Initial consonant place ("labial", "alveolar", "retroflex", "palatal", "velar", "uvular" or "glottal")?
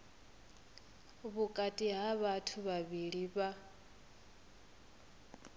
labial